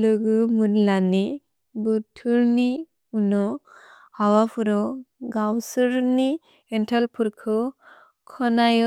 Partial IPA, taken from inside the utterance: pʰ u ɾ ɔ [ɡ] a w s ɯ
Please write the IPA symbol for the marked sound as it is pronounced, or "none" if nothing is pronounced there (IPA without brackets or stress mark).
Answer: ɡ